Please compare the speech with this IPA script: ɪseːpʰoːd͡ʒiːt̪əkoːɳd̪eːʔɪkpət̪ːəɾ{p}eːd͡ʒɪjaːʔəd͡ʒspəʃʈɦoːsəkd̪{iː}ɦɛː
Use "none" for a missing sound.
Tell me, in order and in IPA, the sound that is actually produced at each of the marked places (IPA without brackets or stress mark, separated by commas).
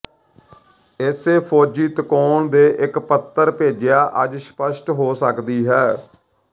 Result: p, iː